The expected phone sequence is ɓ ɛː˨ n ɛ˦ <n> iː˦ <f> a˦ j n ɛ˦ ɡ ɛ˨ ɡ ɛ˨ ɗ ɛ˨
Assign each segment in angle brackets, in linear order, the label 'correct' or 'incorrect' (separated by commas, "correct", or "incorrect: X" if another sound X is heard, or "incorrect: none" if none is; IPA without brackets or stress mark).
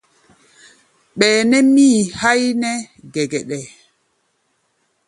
incorrect: m, incorrect: h